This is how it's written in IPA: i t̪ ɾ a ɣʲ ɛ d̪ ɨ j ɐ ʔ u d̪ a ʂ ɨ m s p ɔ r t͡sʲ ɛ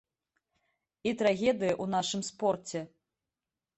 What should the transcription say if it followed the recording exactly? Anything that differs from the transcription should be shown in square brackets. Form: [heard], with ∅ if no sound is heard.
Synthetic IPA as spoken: i t̪ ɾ a ɣʲ ɛ d̪ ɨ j ɐ ʔ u [n̪] a ʂ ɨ m s p ɔ r t͡sʲ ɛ